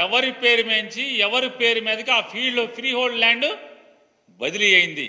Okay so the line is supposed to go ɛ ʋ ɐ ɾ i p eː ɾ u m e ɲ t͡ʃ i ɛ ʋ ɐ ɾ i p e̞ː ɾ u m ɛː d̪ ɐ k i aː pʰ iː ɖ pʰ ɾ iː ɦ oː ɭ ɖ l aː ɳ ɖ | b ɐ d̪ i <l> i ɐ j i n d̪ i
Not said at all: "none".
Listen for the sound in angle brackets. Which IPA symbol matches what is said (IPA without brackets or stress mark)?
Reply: l